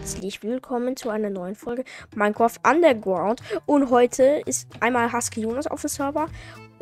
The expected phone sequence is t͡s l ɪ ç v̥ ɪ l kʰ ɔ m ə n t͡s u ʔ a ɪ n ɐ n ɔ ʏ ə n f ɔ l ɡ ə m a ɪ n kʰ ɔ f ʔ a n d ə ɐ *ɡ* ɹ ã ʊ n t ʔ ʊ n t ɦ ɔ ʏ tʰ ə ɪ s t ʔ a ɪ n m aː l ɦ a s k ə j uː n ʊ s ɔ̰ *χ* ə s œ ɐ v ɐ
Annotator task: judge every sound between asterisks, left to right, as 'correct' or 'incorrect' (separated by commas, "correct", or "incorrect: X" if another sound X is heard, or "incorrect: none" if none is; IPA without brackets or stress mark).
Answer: correct, incorrect: f